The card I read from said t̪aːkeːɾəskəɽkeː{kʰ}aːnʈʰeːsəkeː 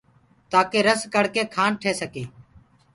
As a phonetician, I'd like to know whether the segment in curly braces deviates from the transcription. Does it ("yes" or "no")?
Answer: no